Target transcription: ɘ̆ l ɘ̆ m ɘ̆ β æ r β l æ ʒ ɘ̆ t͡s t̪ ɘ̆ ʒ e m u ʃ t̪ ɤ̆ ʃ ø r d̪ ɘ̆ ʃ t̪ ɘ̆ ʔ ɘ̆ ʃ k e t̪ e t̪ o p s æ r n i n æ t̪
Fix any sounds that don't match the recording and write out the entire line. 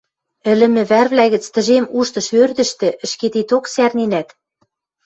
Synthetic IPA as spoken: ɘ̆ l ɘ̆ m ɘ̆ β æ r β l æ ɣ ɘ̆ t͡s t̪ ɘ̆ ʒ e m u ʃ t̪ ɤ̆ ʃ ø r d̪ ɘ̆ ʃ t̪ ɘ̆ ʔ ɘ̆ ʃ k e t̪ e t̪ o k s æ r n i n æ t̪